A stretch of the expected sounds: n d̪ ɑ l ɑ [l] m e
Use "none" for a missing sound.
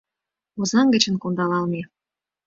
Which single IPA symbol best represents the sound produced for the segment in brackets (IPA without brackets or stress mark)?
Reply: l